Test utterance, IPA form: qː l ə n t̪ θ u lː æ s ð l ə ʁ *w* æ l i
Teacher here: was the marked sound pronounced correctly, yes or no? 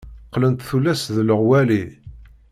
yes